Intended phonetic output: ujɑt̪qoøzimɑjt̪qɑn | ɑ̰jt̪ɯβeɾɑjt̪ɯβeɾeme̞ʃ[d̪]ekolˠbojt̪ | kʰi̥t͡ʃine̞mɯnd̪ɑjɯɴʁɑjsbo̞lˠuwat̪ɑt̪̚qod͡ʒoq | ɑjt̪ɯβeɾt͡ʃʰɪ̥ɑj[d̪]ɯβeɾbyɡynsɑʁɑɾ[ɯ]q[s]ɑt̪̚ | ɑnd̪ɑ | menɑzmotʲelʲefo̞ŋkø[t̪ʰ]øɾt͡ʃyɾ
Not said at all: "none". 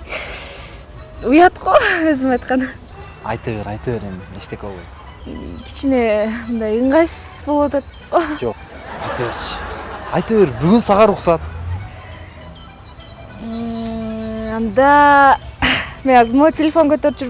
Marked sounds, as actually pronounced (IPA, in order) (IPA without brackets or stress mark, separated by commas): t̪, t̪, u, s, t̪